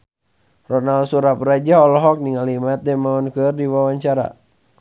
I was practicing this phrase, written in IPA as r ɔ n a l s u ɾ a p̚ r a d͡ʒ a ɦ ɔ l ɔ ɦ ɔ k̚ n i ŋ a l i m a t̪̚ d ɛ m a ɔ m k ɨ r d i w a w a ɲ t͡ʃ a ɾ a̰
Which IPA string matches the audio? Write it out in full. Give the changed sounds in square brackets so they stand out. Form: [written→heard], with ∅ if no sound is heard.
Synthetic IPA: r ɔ n a l s u ɾ a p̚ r a d͡ʒ a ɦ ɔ l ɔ ɦ ɔ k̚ n i ŋ a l i m a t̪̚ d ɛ m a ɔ [m→n] k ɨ r d i w a w a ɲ t͡ʃ a ɾ a̰

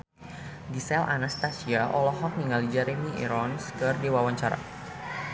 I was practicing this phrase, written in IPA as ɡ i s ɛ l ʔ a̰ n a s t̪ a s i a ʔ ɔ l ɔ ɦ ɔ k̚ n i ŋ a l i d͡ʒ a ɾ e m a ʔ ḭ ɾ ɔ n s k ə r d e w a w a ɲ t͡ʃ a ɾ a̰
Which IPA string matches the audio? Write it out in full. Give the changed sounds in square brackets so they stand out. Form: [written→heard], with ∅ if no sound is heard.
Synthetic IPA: ɡ i s ɛ l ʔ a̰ n a s t̪ a s i a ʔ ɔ l ɔ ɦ ɔ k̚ n i ŋ a l i d͡ʒ a ɾ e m [a→i] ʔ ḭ ɾ ɔ n s k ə r d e w a w a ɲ t͡ʃ a ɾ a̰

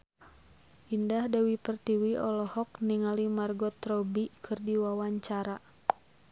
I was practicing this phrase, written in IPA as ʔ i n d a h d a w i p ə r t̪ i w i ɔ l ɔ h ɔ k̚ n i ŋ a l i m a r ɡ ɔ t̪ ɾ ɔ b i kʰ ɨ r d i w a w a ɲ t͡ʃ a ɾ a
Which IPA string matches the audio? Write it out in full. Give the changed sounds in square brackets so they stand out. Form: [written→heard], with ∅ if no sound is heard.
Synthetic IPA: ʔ i n d a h d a w i p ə r t̪ i w i ɔ l ɔ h ɔ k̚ n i ŋ a l i m a r ɡ ɔ t̪ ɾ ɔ b i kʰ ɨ r d i w a w a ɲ t͡ʃ a ɾ a

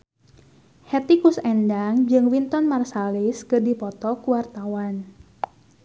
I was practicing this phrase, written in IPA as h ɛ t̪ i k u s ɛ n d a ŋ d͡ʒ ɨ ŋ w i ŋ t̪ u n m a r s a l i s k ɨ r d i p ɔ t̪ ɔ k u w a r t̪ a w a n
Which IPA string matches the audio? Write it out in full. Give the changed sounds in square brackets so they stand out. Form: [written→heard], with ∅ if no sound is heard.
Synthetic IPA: h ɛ t̪ i k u s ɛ n d a ŋ d͡ʒ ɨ ŋ w i [ŋ→n] t̪ [u→ɔ] n m a r s a l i s k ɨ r d i p ɔ t̪ ɔ k u w a r t̪ a w a n

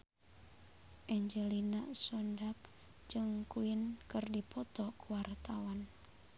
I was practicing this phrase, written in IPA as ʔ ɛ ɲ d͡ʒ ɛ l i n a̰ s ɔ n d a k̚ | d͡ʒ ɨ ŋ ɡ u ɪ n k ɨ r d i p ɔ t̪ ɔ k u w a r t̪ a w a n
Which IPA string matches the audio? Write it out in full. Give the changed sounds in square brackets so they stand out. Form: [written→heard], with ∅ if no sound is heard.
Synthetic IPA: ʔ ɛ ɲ d͡ʒ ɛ l i n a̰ s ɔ n d a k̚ | d͡ʒ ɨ ŋ [ɡ→k] u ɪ n k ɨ r d i p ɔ t̪ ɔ k u w a r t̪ a w a n

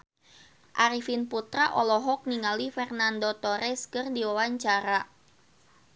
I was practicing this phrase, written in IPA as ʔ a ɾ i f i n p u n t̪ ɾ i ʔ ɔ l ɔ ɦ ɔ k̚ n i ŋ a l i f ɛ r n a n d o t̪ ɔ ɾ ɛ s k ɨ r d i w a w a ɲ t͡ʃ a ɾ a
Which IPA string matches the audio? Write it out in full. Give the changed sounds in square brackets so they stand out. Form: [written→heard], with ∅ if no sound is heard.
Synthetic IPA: ʔ a ɾ i f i n p u [n→∅] t̪ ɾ [i→a] ʔ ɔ l ɔ ɦ ɔ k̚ n i ŋ a l i f ɛ r n a n d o t̪ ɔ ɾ ɛ s k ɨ r d i w a w a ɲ t͡ʃ a ɾ a

